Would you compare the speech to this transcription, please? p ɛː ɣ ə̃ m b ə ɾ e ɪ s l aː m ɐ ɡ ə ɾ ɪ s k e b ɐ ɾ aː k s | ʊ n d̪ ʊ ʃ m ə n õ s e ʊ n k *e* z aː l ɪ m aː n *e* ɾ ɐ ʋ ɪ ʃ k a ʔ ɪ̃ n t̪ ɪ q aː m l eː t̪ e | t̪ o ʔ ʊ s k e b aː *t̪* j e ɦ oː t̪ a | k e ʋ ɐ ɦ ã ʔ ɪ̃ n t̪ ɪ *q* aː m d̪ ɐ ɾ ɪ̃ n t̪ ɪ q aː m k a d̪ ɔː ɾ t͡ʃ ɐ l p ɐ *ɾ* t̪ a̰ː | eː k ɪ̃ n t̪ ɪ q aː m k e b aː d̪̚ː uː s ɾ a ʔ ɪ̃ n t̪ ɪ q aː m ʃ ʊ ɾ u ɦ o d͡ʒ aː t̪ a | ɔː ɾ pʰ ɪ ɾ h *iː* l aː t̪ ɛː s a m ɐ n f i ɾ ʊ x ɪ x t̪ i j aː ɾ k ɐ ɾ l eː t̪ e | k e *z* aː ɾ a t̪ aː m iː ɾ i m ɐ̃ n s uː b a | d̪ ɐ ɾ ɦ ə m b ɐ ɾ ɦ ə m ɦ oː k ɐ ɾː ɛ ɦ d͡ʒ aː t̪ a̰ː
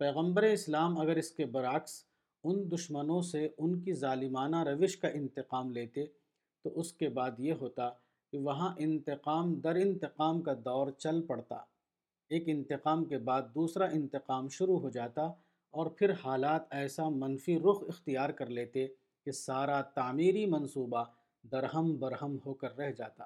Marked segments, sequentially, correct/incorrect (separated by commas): incorrect, incorrect, incorrect, correct, incorrect, incorrect, incorrect